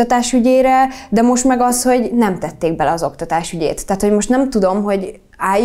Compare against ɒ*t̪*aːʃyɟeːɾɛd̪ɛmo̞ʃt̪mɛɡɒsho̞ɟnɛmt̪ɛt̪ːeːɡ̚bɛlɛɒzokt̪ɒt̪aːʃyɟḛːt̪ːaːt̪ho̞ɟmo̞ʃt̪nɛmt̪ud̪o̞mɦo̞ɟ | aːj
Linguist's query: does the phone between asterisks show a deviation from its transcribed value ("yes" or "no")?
no